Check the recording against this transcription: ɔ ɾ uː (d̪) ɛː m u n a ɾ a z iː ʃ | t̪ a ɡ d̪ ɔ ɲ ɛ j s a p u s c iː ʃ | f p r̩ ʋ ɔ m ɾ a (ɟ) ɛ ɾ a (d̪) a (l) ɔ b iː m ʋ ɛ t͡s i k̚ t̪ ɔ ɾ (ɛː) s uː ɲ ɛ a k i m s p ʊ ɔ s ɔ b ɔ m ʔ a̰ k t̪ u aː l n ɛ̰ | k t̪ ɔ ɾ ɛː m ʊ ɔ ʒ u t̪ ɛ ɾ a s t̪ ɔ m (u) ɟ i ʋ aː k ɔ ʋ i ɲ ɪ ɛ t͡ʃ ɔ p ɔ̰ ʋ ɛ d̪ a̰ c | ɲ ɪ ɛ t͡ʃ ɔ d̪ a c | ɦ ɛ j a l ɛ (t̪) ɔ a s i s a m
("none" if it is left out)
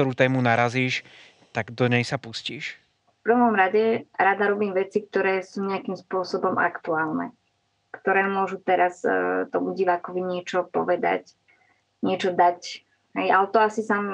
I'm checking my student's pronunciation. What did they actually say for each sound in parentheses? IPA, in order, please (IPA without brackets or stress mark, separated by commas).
t̪, ɟ, d̪, ɾ, ɛː, u, t̪